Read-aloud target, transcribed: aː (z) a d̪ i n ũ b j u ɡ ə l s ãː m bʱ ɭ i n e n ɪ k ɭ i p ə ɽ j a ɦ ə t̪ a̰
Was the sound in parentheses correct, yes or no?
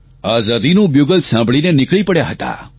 yes